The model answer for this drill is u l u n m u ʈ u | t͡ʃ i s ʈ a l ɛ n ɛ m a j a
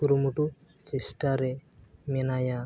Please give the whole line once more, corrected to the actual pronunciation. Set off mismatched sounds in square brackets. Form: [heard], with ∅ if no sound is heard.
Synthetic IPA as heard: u [ɾ] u [∅] m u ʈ u | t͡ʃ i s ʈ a [ɾ] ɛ [m] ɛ [n] a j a